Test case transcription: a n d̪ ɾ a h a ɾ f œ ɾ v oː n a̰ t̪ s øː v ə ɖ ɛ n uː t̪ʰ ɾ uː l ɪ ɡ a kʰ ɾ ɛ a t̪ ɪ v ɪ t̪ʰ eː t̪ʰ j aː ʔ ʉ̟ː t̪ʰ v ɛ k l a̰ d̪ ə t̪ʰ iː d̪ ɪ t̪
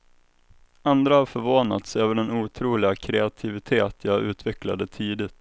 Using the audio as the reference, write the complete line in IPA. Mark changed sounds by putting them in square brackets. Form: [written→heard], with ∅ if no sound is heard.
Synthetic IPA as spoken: a n d̪ ɾ a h a ɾ f œ ɾ v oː n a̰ t̪ s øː v ə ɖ ɛ n uː t̪ʰ ɾ uː l ɪ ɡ a kʰ ɾ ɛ a [t̪→t̪ʰ] ɪ v ɪ t̪ʰ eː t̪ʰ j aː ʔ ʉ̟ː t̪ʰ v ɛ k l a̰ d̪ ə t̪ʰ iː d̪ ɪ t̪